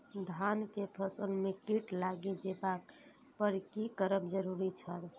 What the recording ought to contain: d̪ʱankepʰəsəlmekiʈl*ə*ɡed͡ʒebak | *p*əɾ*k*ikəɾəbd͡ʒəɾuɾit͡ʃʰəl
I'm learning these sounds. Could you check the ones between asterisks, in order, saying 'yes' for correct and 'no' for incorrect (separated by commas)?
no, yes, yes